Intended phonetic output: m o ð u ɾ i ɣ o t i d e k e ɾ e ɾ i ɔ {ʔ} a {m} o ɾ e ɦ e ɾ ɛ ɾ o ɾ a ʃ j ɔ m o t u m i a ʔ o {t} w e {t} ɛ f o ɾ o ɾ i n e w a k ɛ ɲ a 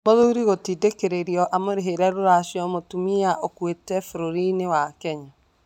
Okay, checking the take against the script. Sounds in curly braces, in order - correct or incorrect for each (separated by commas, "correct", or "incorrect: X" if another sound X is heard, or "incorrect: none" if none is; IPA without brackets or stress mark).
correct, correct, incorrect: k, correct